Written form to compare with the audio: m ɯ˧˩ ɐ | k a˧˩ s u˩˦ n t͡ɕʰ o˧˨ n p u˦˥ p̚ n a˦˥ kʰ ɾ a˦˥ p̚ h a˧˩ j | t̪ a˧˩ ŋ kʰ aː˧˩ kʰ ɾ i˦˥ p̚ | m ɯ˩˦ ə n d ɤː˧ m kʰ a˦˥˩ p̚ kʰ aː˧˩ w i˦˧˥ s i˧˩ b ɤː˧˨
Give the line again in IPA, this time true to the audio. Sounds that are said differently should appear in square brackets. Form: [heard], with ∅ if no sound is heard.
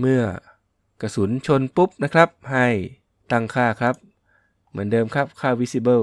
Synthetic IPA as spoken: m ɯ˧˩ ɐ | k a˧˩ s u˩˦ n t͡ɕʰ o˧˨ n p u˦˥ p̚ n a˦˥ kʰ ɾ a˦˥ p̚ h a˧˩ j | t̪ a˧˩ ŋ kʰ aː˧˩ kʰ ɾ [a˦˥] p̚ | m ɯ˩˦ ə n d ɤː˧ m kʰ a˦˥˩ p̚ kʰ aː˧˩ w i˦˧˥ s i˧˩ b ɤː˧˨